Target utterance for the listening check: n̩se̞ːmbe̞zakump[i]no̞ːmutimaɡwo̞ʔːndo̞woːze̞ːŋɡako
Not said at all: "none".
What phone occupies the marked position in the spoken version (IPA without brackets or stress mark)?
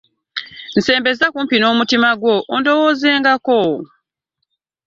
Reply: i